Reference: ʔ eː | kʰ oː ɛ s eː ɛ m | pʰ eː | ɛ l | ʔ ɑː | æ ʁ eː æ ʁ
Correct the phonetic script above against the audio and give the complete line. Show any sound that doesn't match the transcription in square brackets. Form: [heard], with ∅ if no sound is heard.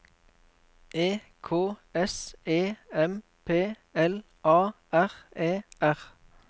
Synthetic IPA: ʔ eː | kʰ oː ɛ s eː ɛ m | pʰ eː | ɛ l | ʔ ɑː | æ ʁ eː æ ʁ